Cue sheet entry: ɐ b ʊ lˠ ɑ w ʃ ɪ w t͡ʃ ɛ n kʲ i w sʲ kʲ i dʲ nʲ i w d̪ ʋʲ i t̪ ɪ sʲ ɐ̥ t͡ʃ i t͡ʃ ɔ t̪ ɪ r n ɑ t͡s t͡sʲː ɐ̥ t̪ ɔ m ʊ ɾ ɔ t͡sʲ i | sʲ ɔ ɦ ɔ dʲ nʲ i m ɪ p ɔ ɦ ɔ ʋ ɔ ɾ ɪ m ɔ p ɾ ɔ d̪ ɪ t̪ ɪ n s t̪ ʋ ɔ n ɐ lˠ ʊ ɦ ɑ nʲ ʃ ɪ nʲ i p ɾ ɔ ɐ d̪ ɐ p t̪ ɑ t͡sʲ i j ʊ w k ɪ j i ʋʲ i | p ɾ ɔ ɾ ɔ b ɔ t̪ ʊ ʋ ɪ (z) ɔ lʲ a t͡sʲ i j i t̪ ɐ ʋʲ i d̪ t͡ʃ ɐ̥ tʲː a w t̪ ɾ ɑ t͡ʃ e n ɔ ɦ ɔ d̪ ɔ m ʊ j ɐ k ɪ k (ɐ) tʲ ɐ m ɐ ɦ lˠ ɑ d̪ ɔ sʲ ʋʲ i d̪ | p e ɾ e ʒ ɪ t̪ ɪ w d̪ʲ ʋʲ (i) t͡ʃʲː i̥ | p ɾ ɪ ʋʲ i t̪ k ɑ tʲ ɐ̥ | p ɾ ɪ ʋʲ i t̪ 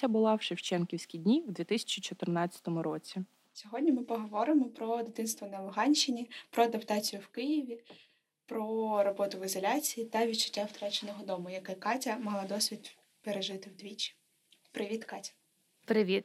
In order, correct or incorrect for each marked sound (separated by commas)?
correct, incorrect, correct